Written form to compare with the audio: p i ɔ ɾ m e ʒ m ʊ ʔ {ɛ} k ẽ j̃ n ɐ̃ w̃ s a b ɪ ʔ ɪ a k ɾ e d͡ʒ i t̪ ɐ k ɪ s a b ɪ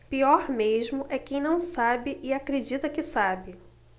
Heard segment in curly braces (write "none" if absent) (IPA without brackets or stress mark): ɛ